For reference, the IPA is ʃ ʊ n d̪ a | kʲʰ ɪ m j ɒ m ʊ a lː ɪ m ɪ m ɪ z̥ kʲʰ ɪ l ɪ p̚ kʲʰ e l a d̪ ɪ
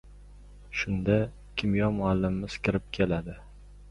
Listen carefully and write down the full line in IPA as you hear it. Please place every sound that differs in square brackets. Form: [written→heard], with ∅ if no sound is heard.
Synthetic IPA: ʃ ʊ n d̪ a | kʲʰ ɪ m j ɒ m ʊ a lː ɪ m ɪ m ɪ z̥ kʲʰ ɪ [l→ɾ] ɪ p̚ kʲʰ e l a d̪ ɪ